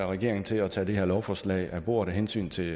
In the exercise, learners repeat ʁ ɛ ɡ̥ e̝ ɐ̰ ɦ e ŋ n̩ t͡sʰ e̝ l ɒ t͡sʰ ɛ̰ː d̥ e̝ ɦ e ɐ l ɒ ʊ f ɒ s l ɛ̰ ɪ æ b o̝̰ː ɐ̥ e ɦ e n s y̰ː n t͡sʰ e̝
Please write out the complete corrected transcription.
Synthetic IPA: ʁ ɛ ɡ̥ e̝ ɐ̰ e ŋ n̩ t͡sʰ e̝ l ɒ t͡sʰ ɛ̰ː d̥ e̝ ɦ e ɐ l ɒ ʊ f ɒ s l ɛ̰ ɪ æ b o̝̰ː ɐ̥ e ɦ e n s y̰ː n t͡sʰ e̝